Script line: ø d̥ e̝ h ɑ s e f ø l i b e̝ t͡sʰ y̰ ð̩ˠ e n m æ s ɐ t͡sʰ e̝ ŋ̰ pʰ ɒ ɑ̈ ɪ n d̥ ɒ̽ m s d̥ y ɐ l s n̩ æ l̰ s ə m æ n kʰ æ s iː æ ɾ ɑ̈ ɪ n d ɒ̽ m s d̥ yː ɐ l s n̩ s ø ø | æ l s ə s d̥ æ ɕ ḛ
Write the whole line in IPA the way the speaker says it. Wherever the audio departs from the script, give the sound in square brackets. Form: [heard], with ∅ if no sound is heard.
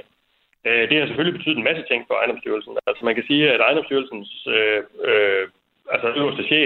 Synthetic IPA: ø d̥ e̝ h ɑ s e f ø l i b e̝ t͡sʰ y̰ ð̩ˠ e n m æ s [ə] t͡sʰ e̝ ŋ̰ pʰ ɒ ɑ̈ ɪ n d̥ ɒ̽ m s d̥ y ɐ l s n̩ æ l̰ s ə m æ n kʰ æ s iː æ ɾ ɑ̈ ɪ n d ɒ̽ m s d̥ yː ɐ l s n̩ s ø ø | æ l s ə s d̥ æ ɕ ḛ